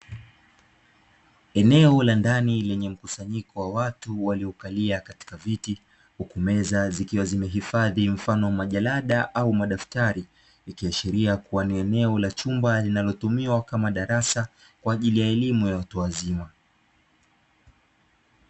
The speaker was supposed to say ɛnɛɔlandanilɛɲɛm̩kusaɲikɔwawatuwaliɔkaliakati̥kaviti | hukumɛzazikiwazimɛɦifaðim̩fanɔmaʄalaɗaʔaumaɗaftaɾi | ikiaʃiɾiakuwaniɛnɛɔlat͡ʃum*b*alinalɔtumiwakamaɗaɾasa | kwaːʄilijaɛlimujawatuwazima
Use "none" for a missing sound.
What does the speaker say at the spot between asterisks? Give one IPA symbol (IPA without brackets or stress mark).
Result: b